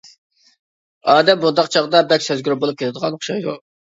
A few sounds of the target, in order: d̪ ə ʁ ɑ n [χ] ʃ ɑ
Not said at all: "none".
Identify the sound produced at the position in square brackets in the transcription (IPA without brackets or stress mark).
χ